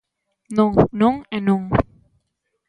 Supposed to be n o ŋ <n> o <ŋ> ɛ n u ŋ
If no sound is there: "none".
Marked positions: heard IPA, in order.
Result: n, ŋ

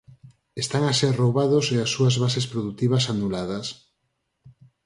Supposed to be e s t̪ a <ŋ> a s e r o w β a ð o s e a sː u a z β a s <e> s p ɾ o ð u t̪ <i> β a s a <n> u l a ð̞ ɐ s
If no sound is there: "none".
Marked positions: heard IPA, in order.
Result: ŋ, e, i, n

